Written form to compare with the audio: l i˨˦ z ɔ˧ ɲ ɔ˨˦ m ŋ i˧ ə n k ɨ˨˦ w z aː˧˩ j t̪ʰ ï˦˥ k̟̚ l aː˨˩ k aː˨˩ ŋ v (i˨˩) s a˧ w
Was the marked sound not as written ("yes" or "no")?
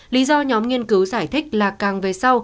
yes